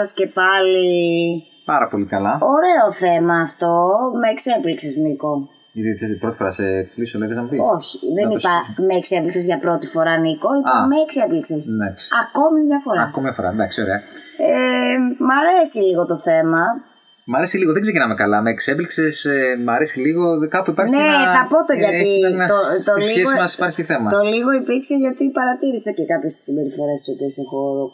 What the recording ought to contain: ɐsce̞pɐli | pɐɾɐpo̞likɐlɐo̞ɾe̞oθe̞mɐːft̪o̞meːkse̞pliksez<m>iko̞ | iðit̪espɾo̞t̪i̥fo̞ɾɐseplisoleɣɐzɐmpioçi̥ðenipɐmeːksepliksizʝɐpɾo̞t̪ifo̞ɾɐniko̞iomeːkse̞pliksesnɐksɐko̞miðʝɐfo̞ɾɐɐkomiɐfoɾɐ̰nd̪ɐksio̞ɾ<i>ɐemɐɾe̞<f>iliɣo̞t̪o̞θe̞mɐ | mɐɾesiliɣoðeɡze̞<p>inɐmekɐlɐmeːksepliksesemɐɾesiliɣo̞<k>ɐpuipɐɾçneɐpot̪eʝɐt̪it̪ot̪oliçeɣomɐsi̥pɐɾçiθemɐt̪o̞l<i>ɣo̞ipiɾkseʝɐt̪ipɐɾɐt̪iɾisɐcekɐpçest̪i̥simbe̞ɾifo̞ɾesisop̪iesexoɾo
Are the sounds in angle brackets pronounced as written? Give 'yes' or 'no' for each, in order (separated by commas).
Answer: no, no, no, no, yes, yes